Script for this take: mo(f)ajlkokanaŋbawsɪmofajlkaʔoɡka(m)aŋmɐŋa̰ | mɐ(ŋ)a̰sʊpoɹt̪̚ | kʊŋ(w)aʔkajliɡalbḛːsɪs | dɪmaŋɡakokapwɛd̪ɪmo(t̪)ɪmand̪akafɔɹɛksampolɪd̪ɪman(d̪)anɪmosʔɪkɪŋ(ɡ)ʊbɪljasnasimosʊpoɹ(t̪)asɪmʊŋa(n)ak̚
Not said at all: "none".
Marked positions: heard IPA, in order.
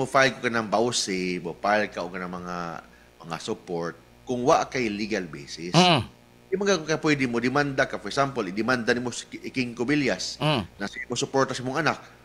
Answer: f, n, ŋ, w, d̪, d̪, k, t̪, n

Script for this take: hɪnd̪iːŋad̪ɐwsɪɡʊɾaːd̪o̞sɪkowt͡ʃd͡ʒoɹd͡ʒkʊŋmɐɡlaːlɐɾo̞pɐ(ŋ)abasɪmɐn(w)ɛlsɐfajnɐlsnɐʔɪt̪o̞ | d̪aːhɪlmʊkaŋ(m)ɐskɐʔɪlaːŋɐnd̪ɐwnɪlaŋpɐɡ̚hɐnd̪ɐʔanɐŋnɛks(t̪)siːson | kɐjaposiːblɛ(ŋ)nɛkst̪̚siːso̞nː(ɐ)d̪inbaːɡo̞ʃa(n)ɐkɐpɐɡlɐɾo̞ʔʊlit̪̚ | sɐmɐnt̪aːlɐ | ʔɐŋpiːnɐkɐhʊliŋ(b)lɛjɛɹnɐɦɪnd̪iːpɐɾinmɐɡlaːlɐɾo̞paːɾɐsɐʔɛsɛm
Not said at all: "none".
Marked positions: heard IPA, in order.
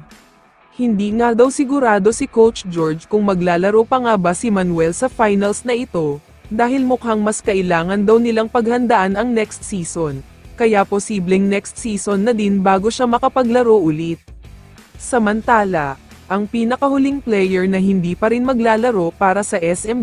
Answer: ŋ, w, m, t̪, ŋ, ɐ, m, p

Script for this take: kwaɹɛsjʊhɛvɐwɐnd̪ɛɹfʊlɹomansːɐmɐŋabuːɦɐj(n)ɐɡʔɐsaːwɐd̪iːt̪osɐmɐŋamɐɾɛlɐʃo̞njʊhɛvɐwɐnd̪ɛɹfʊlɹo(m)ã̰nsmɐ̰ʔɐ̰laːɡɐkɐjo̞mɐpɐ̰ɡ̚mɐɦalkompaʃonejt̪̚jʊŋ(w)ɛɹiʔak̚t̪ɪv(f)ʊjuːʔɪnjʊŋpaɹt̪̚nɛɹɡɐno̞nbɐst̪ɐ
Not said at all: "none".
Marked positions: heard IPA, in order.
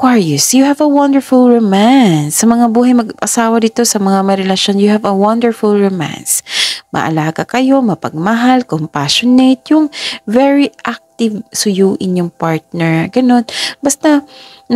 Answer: m, m, v, s

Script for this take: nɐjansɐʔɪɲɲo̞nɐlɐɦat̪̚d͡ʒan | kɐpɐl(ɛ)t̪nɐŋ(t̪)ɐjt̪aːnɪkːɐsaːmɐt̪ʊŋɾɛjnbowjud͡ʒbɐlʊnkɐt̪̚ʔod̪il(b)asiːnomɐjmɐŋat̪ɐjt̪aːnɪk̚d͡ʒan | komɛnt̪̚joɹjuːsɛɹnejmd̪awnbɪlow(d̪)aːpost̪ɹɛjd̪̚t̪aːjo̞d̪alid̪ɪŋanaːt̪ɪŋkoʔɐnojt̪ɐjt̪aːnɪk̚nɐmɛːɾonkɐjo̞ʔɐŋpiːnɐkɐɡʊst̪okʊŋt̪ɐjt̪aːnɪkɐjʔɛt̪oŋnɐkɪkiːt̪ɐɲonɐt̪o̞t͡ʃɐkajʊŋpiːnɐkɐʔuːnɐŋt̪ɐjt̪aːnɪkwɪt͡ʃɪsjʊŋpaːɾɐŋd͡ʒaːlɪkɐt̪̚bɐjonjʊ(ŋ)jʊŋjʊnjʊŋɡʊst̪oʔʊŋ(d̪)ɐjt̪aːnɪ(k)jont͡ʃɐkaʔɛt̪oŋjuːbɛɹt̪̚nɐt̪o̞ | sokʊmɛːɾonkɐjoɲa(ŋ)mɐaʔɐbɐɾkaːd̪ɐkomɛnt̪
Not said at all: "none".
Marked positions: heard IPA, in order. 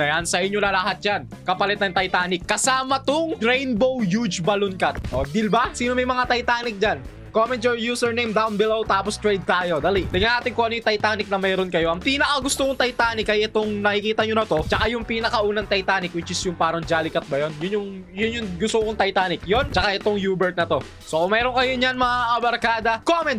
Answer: ɛ, t̪, b, t̪, n, t̪, k, n

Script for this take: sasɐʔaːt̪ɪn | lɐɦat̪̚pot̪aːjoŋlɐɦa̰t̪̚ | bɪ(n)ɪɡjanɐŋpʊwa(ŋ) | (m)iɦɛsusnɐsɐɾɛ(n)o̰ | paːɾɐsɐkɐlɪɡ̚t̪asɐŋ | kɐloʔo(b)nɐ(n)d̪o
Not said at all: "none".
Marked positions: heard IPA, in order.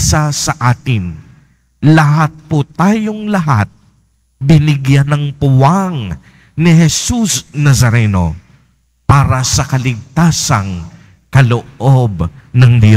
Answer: n, ŋ, n, n, b, ŋ

